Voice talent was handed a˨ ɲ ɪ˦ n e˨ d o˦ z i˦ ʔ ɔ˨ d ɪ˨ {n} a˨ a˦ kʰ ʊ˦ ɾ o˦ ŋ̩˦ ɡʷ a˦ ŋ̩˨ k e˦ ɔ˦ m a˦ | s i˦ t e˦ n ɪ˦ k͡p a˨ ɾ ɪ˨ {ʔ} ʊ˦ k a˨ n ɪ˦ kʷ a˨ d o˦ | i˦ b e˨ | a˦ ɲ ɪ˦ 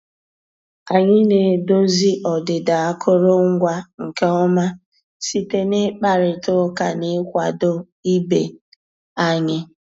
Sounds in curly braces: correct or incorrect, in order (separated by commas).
incorrect, incorrect